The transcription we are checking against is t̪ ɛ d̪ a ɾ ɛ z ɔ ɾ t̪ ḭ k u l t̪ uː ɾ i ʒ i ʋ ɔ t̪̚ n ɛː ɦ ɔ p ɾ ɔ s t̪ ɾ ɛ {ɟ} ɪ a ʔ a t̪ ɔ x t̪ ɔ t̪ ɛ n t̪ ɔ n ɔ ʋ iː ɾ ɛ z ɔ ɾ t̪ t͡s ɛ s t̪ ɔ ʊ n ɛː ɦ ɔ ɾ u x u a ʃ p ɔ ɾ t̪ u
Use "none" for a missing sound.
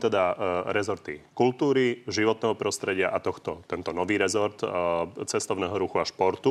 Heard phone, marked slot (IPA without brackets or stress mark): ɟ